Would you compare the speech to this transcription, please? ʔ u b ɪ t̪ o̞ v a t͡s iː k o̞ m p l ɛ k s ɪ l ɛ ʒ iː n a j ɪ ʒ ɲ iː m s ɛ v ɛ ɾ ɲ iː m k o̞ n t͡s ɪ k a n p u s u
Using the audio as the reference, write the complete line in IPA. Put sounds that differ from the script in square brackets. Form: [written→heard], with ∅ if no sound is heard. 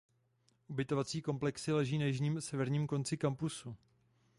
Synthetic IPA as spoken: ʔ u b ɪ t̪ o̞ v a t͡s iː k o̞ m p l ɛ k s ɪ l ɛ ʒ iː n a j ɪ ʒ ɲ iː m s ɛ v ɛ ɾ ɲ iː m k o̞ n t͡s ɪ k a [n→m] p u s u